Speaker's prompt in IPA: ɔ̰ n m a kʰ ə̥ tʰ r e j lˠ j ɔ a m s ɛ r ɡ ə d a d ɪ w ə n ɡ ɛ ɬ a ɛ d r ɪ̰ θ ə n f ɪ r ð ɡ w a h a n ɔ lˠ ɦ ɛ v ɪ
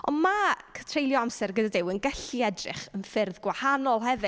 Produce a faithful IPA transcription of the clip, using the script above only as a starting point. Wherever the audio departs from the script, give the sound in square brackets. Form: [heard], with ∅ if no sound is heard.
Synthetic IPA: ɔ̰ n m a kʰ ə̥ tʰ r e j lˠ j ɔ a m s ɛ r ɡ ə d a d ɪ w ə n ɡ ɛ ɬ [i] ɛ d r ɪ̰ [χ] ə n f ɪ r ð ɡ w a h a n ɔ lˠ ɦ ɛ v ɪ